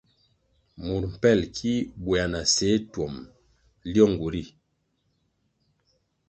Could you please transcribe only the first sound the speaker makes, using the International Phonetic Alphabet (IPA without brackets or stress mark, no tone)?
m